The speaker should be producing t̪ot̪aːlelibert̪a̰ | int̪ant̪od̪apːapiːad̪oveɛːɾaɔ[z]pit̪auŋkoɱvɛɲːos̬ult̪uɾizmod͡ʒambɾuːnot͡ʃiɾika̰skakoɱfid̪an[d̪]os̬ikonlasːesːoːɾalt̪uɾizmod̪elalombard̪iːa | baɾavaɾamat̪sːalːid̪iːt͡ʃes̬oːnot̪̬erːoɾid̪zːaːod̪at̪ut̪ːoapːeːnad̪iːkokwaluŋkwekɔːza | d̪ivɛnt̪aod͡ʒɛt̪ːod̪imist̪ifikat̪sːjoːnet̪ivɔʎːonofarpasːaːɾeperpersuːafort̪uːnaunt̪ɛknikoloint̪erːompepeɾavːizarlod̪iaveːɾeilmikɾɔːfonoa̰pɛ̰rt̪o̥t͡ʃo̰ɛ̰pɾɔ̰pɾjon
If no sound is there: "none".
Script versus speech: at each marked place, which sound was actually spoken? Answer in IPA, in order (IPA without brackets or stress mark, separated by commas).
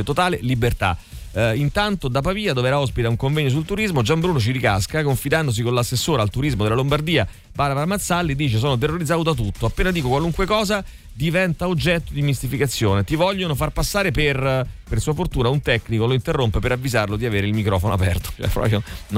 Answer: s, d̪